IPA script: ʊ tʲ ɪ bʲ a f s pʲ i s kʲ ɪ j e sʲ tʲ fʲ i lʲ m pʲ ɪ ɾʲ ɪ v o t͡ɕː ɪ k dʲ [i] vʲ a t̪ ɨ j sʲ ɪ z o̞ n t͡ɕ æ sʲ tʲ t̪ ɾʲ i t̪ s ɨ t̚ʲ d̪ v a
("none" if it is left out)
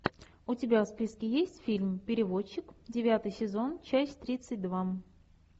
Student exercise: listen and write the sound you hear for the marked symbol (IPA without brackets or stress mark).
ɪ